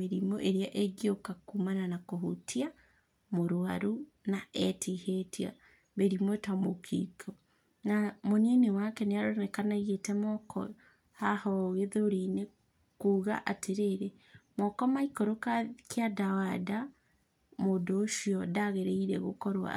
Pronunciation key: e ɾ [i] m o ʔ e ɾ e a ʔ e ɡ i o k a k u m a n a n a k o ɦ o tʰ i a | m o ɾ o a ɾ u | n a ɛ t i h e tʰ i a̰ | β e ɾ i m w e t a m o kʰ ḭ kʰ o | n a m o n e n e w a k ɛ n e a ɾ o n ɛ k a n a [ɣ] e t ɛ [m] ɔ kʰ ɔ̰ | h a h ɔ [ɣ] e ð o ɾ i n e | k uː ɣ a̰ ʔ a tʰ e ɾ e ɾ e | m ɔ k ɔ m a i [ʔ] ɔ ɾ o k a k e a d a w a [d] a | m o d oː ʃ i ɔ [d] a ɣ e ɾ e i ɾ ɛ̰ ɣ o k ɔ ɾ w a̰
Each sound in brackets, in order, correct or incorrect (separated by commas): correct, correct, correct, correct, incorrect, correct, correct